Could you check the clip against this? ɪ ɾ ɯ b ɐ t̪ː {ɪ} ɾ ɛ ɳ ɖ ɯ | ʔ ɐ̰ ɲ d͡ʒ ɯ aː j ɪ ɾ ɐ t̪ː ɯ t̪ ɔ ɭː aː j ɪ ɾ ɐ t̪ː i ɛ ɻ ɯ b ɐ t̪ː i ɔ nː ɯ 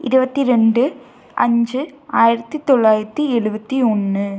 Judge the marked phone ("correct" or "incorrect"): incorrect